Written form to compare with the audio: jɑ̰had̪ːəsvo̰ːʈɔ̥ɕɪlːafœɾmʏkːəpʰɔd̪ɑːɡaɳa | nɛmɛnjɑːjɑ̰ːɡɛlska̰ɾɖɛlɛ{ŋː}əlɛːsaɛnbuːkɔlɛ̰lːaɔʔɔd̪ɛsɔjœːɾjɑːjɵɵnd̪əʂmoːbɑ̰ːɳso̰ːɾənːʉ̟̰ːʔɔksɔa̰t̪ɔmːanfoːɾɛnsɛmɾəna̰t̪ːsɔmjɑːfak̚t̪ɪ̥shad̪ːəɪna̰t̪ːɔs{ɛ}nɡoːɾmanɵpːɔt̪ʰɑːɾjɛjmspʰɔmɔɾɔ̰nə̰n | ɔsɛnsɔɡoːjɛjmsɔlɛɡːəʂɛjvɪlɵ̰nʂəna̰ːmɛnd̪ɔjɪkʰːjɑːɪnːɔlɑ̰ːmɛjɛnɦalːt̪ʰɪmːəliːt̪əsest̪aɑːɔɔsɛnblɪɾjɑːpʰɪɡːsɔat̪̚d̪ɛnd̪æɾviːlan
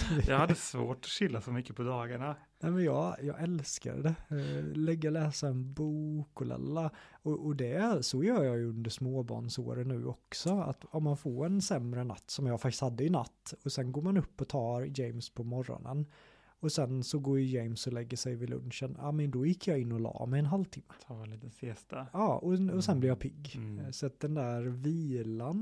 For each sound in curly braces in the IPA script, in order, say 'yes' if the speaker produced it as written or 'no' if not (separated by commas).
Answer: no, yes